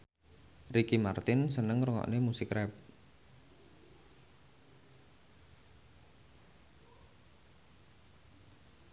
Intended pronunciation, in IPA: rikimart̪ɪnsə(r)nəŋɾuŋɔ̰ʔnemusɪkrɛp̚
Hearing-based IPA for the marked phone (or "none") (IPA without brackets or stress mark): none